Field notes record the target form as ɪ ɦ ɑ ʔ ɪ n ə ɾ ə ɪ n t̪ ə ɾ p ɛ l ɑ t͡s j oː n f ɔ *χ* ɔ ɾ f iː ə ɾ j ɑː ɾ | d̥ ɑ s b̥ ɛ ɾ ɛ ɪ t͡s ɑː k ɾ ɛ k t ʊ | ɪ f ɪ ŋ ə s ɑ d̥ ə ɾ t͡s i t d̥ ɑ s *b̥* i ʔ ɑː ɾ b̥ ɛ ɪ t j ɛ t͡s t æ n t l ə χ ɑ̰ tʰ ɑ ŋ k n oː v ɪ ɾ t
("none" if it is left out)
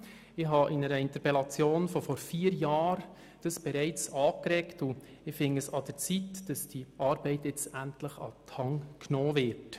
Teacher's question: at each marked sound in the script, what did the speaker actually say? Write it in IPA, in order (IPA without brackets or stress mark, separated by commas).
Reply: f, d̥